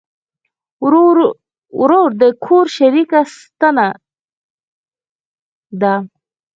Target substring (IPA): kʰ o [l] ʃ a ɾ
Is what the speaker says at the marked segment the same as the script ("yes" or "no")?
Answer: no